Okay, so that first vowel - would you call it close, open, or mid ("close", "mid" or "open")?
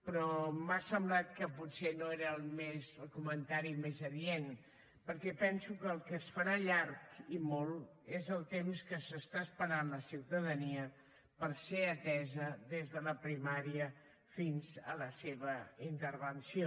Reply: mid